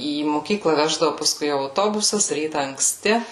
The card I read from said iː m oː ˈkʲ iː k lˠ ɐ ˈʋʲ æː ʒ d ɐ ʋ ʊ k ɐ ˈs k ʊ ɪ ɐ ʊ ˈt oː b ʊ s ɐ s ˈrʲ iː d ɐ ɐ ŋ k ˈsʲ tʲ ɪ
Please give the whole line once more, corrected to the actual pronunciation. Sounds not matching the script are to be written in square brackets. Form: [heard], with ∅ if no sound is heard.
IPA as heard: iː m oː ˈkʲ iː k lˠ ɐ ˈʋʲ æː ʒ d ɐ ʋ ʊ [p] ɐ ˈs k ʊ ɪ ɐ ʊ ˈt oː b ʊ s ɐ s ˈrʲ iː [t] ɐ ɐ ŋ k ˈsʲ tʲ ɪ

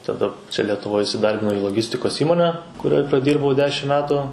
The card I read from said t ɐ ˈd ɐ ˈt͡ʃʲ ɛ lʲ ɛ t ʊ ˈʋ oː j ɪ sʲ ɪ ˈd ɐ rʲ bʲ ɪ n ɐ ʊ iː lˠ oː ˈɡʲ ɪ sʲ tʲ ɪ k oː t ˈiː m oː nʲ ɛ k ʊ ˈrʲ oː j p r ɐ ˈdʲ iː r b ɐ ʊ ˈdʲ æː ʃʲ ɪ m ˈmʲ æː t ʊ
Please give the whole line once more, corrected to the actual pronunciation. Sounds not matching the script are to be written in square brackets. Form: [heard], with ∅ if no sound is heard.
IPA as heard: t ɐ ˈd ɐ ˈt͡ʃʲ ɛ lʲ ɛ t ʊ ˈʋ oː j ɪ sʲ ɪ ˈd ɐ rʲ bʲ ɪ n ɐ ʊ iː lˠ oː ˈɡʲ ɪ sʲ tʲ ɪ k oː [s] ˈiː m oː nʲ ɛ k ʊ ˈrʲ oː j p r ɐ ˈdʲ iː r b ɐ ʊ ˈdʲ æː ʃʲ ɪ m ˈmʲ æː t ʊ

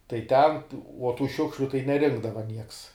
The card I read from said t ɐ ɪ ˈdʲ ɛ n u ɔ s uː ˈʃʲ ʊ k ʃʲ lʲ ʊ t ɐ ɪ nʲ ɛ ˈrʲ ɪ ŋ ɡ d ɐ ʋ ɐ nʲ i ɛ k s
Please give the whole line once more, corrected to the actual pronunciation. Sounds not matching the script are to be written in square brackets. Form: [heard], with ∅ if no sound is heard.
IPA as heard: t ɐ ɪ [ˈtʲ] ɛ n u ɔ [t] uː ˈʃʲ ʊ k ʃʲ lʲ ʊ t ɐ ɪ nʲ ɛ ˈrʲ ɪ ŋ ɡ d ɐ ʋ ɐ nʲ i ɛ k s

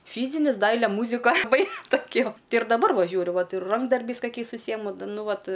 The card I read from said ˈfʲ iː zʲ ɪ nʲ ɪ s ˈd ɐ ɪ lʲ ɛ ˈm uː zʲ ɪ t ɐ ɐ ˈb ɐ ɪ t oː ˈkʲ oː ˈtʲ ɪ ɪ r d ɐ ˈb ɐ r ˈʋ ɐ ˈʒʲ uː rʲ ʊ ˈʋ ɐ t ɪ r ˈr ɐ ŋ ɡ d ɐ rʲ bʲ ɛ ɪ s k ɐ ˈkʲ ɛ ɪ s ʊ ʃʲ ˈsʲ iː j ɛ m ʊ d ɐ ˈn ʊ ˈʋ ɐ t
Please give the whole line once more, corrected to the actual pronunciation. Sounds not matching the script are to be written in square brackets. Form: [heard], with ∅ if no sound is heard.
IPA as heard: ˈfʲ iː zʲ ɪ nʲ ɪ s ˈd ɐ ɪ lʲ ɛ ˈm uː zʲ ɪ [k] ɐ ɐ ˈb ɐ ɪ t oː ˈkʲ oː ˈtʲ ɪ ɪ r d ɐ ˈb ɐ r ˈʋ ɐ ˈʒʲ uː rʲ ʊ ˈʋ ɐ t ɪ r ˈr ɐ ŋ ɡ d ɐ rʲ bʲ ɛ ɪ s k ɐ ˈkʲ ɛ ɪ s ʊ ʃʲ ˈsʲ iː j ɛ m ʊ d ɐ ˈn ʊ ˈʋ ɐ t

